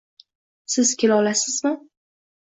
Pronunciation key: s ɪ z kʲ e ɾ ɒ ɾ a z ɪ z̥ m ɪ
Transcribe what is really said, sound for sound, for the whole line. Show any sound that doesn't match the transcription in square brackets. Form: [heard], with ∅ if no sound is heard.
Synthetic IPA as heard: s ɪ z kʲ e [l] ɒ [l] a [s] ɪ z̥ m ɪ